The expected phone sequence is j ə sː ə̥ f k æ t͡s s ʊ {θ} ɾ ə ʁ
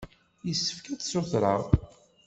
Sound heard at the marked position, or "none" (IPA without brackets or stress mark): θ